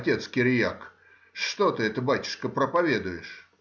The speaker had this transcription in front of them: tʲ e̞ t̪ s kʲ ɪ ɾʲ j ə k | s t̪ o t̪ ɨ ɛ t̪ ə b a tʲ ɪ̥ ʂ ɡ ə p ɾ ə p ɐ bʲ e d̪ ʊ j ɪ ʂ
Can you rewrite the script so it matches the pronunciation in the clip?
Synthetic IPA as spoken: tʲ e̞ t̪ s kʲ ɪ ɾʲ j a k | ʂ t̪ o t̪ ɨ ɛ t̪ ə b a tʲ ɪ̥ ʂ k ə p ɾ ə p ɐ vʲ e d̪ ʊ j ɪ ʂ